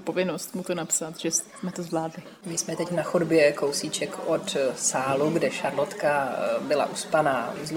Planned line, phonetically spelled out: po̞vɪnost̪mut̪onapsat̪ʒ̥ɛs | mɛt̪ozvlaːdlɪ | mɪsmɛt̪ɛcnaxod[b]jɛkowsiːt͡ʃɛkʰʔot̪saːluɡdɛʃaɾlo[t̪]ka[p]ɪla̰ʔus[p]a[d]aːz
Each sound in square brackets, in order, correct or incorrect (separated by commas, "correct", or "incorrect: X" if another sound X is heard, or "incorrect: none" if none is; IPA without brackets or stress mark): correct, correct, incorrect: b, correct, incorrect: n